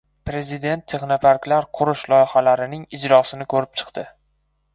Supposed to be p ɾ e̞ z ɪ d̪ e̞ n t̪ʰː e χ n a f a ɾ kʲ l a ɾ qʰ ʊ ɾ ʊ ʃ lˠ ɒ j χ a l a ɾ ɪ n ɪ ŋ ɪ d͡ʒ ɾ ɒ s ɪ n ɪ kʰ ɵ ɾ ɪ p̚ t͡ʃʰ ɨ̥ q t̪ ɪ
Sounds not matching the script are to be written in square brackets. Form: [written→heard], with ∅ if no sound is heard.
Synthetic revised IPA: p ɾ e̞ z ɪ d̪ e̞ n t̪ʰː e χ n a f a ɾ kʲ l a ɾ qʰ ʊ ɾ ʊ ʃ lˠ ɒ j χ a l a ɾ ɪ n ɪ ŋ ɪ d͡ʒ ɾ ɒ s ɪ n ɪ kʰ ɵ ɾ ɪ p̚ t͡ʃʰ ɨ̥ q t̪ ɪ